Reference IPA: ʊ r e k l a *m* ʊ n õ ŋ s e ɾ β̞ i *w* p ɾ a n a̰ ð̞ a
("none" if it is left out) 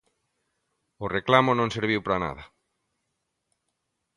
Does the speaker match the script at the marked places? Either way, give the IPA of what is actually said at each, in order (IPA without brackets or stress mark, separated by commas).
m, w